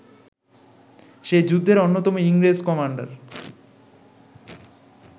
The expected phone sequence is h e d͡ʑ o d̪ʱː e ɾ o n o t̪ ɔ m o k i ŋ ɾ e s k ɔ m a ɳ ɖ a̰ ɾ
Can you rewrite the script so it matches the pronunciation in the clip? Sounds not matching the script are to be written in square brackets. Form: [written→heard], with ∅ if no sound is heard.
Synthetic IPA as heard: [h→ʃ] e d͡ʑ [o→u] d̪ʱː e ɾ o [n→nː] o t̪ ɔ m o [k→∅] i ŋ ɾ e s k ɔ m a ɳ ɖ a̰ ɾ